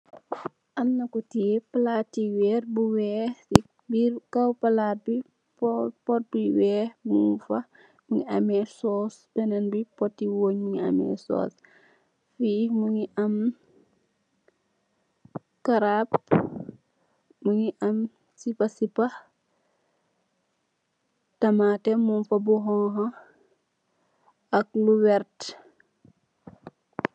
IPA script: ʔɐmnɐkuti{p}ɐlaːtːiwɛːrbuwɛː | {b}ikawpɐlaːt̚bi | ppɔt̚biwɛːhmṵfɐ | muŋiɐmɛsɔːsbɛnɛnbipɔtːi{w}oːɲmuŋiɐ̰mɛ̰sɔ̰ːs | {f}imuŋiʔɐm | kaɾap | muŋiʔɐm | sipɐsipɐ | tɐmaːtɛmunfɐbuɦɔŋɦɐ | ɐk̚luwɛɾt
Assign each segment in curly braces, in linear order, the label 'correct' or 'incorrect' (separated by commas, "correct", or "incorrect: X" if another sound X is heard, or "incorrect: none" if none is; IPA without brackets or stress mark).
correct, correct, correct, correct